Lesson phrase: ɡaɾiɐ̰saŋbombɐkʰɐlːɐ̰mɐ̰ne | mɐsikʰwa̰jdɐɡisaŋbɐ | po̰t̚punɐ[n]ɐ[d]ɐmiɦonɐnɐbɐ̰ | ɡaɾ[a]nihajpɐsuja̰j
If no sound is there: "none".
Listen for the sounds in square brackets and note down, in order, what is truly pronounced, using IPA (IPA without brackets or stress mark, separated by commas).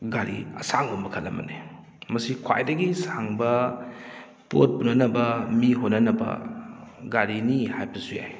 n, b, i